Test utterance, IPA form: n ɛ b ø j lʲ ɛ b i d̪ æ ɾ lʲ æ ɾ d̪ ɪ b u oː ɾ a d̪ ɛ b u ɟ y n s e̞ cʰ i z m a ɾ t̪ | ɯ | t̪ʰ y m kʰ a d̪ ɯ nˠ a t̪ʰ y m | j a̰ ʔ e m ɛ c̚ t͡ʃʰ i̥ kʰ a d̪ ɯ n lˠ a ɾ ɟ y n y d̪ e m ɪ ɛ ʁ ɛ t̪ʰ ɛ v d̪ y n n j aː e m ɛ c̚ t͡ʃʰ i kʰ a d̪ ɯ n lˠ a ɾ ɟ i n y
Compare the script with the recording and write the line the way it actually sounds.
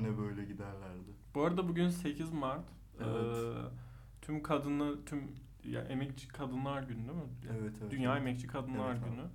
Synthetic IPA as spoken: n ɛ b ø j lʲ ɛ ɟ i d̪ æ ɾ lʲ æ ɾ d̪ ɪ b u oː ɾ a d̪ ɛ b u ɟ y n s e̞ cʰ i z m a ɾ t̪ | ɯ | t̪ʰ y m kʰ a d̪ ɯ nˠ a t̪ʰ y m | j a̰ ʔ e m ɛ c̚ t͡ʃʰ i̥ kʰ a d̪ ɯ n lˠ a ɾ ɟ y n y d̪ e m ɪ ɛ v ɛ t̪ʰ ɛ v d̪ y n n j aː e m ɛ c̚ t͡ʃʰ i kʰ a d̪ ɯ n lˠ a ɾ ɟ y n y